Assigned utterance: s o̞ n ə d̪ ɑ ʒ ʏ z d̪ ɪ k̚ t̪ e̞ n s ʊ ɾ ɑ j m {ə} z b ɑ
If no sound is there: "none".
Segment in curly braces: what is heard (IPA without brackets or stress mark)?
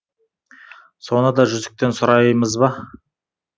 ə